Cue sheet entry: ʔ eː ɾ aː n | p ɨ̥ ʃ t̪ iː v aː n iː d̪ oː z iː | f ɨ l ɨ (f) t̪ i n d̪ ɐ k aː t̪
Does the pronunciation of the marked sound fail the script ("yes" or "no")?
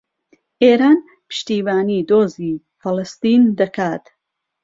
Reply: yes